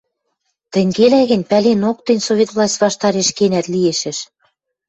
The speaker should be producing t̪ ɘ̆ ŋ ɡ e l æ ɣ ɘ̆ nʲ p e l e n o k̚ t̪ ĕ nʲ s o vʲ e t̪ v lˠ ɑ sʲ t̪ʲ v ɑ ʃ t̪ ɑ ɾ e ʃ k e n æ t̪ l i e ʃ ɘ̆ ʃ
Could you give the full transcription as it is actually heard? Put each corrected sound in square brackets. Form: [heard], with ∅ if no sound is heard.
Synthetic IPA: t̪ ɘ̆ ŋ ɡ e l æ ɣ ɘ̆ nʲ p [æ] l e n o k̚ t̪ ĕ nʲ s o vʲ e t̪ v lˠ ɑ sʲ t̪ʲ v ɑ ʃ t̪ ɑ ɾ e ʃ k e n æ t̪ l i e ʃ ɘ̆ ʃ